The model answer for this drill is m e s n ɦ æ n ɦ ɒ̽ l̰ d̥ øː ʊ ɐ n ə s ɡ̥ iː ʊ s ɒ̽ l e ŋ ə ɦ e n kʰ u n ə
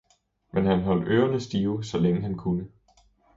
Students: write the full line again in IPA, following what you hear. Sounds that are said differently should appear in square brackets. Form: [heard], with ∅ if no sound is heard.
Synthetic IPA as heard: m e [∅] n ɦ æ n ɦ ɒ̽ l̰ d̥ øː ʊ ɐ n ə s [d̥] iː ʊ s ɒ̽ l e ŋ ə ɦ [æ] n kʰ u n ə

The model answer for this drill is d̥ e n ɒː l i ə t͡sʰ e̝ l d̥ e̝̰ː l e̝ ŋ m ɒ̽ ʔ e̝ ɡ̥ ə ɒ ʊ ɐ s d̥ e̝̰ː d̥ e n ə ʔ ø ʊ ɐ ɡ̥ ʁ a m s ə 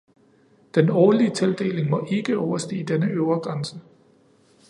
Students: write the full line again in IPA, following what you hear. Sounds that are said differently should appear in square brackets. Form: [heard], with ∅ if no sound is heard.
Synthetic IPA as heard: d̥ e n ɒː l i ə t͡sʰ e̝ l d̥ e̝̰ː l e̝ ŋ m ɒ̽ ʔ e̝ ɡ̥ ə ɒ ʊ ɐ s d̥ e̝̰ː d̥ e n ə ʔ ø ʊ ɐ ɡ̥ ʁ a [n] s ə

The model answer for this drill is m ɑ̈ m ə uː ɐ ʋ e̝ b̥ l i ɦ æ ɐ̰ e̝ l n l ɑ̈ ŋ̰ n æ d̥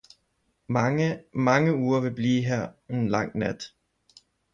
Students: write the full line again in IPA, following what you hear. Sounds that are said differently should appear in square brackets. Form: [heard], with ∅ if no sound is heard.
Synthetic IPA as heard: m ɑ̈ [ŋ] ə uː ɐ ʋ e̝ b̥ l [iː] ɦ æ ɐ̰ e̝ [∅] n l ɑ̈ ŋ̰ n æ d̥

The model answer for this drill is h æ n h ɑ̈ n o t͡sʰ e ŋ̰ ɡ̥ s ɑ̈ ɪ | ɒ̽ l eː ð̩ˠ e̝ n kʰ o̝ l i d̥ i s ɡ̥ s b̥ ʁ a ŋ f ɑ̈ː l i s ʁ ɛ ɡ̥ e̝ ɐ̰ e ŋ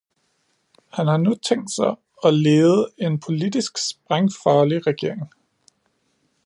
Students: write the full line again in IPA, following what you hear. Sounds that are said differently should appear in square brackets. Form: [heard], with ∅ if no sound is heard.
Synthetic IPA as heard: h æ n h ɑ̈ n [u] t͡sʰ e ŋ̰ [d̥] s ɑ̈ ɪ | ɒ̽ l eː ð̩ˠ e̝ n [pʰ] o̝ l i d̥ i s ɡ̥ s b̥ ʁ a ŋ f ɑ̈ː l i [∅] ʁ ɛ ɡ̥ e̝ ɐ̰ e ŋ

